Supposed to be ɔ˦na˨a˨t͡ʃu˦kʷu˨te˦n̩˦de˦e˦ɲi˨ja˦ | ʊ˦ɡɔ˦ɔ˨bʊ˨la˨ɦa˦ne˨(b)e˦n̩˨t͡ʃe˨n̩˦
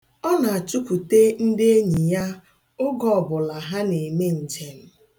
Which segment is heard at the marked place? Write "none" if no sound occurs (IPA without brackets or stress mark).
m